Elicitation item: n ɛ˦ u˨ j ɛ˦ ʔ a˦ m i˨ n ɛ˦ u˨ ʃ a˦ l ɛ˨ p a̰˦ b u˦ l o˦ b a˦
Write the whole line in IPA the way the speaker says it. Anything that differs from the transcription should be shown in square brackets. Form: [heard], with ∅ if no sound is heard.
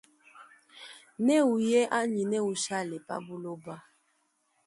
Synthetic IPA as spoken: n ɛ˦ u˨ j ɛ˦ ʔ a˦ [ɲ] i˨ n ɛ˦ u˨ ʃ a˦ l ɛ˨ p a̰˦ b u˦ l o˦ b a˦